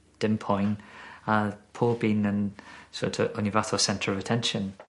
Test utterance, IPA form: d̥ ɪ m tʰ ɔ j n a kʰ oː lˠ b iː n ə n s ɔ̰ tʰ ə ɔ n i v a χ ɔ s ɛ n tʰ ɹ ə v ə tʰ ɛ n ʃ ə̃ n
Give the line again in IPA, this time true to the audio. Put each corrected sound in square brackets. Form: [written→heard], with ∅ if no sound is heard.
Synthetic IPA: d̥ ɪ m [tʰ→pʰ] ɔ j n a [kʰ→pʰ] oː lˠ b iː n ə n s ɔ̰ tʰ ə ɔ n i v a [χ→θ] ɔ s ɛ n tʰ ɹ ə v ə tʰ ɛ n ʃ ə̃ n